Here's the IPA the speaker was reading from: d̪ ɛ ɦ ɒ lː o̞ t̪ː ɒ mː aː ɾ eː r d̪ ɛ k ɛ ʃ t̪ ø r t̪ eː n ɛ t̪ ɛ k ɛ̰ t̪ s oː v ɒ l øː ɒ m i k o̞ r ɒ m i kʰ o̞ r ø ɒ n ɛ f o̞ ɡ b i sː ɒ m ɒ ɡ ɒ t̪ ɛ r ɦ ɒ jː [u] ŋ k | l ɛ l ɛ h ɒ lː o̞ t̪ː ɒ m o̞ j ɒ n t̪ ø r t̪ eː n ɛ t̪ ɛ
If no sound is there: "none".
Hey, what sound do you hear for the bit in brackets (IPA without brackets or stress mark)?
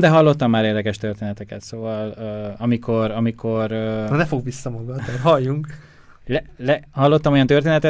u